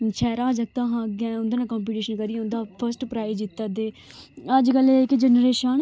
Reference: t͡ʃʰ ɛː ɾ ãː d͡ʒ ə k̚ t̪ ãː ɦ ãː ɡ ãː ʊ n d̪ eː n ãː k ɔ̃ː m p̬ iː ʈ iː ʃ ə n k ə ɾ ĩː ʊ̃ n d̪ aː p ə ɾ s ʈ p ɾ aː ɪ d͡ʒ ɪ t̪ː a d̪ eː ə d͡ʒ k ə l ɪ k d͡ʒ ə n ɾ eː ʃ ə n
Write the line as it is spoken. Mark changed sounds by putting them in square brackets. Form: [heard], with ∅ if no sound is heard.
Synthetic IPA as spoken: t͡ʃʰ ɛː ɾ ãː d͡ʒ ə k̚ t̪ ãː ɦ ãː ɡ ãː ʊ n d̪ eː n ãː k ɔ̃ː m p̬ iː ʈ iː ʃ ə n k ə ɾ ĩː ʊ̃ n d̪ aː [pʰ] ə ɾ s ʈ p ɾ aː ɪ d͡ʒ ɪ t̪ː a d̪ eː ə d͡ʒ k ə l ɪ k d͡ʒ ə n ɾ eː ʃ ə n